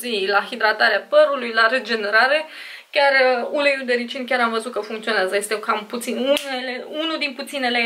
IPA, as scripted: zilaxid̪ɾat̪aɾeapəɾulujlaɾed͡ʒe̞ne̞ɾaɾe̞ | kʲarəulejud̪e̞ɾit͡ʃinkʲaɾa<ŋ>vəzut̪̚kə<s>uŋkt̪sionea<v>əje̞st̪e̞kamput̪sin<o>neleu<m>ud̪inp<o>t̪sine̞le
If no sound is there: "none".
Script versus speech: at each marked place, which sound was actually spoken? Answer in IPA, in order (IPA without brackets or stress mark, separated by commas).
m, f, z, u, n, u